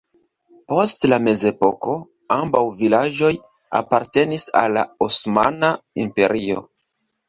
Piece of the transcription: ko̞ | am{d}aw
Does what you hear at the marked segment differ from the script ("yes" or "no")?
yes